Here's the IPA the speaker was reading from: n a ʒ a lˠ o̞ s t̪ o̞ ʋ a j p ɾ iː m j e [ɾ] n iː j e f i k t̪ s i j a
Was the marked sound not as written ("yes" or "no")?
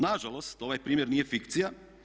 no